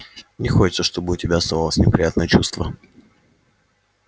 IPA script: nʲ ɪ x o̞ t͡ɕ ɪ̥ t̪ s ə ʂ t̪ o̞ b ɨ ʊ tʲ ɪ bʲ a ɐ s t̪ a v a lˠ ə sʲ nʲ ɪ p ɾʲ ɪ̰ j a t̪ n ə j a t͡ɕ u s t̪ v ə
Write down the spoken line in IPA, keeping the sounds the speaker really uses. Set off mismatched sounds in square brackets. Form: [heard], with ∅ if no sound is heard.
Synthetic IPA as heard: nʲ ɪ x o̞ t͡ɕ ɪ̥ t̪ s ə ʂ t̪ o̞ b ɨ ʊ tʲ ɪ bʲ a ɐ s t̪ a v a lˠ ə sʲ nʲ ɪ p ɾʲ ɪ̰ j a t̪ n ə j [ə] t͡ɕ u s t̪ v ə